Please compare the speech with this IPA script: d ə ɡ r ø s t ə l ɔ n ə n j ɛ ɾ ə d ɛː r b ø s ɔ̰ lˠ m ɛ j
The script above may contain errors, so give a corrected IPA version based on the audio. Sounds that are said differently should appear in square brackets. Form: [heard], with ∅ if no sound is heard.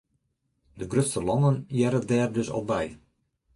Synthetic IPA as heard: d ə ɡ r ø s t ə l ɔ n ə n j ɛ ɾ ə d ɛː r [d] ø s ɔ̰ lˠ [b] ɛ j

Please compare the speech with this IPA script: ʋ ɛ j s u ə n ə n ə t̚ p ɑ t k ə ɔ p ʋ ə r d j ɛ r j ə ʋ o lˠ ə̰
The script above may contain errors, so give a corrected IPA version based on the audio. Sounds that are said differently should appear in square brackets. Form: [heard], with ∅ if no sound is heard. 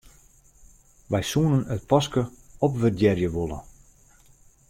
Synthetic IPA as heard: ʋ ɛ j s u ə n ə n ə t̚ p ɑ [s] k ə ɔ p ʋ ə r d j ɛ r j ə ʋ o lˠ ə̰

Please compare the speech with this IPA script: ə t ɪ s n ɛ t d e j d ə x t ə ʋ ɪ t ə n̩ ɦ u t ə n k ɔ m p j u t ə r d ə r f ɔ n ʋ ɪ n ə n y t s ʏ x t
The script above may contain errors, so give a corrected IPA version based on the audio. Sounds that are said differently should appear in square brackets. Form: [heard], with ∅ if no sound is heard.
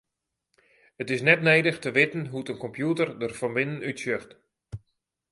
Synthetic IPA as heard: ə t ɪ s n ɛ t [n] e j d ə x t ə ʋ ɪ t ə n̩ ɦ u t ə n k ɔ m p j u t ə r d ə r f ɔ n ʋ ɪ n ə n y t s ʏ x t

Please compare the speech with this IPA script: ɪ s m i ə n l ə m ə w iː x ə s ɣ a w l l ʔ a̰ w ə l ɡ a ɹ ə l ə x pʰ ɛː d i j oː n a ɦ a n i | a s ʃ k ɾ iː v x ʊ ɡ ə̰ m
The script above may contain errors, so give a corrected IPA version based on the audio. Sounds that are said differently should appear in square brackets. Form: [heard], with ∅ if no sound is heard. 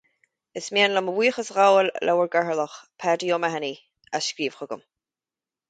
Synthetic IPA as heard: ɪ s m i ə n l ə m ə w iː x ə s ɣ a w l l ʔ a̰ w ə [ɹ] ɡ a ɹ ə l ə x pʰ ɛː d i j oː [m] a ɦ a n i | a s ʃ k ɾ iː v x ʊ ɡ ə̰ m

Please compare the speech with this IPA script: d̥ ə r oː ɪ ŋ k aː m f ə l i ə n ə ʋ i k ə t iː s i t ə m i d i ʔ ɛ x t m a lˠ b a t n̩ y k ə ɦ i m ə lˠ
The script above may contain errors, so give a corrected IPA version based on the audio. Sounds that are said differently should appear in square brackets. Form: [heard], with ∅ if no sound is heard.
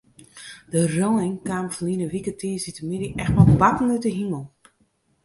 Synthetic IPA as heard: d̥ ə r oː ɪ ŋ k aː m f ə l i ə n ə ʋ i k ə t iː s i t ə m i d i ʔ ɛ x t m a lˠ b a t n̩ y [t] ə ɦ i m ə lˠ

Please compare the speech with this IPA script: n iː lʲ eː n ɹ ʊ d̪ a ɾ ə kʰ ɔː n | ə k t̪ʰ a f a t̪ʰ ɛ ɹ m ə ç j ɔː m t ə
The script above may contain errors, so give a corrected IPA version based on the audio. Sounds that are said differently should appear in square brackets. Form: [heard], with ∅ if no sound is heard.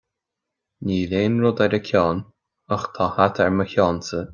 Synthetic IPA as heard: n iː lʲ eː n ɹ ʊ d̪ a ɾ ə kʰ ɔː n | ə [x] t̪ʰ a [h] a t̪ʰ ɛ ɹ m ə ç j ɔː [n] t ə

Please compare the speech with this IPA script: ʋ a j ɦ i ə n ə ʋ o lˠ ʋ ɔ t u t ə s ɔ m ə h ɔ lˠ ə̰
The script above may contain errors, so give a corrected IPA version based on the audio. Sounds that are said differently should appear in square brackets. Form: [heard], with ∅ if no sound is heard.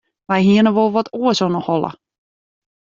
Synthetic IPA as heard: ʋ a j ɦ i ə n ə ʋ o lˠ ʋ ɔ t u [∅] ə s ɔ [n] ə h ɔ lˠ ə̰

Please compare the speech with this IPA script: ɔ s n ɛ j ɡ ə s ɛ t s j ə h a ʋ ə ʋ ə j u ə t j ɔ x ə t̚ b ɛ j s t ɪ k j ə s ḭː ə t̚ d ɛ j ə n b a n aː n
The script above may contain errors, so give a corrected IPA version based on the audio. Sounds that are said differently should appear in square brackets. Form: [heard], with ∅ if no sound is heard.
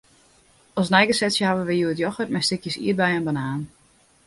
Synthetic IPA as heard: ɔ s n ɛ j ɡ ə s ɛ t s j ə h a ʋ ə ʋ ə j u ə t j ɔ x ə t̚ [m] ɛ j s t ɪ k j ə s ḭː ə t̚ [b] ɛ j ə n b a n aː n

